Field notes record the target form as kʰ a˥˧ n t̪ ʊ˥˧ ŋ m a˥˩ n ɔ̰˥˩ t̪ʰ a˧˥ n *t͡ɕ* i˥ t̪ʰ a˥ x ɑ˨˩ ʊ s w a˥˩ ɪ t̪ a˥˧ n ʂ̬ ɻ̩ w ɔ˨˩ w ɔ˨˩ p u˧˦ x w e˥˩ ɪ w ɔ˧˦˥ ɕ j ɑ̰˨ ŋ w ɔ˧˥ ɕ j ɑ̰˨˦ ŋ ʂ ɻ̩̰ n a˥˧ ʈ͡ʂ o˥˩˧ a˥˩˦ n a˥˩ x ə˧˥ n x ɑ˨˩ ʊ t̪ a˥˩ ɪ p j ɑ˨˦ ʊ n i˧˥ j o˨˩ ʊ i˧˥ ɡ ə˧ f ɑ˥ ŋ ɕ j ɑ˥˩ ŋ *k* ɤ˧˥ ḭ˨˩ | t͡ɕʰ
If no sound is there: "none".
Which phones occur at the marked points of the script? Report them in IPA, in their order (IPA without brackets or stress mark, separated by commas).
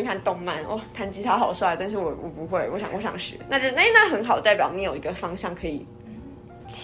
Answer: t͡ɕ, kʰ